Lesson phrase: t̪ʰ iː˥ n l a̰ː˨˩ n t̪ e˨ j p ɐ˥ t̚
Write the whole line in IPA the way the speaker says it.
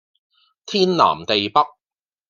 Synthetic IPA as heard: t̪ʰ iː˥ n l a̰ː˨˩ m t̪ e˨ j p ɐ˥ k̚